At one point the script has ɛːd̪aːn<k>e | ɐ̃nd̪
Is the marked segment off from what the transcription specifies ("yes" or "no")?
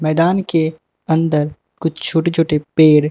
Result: no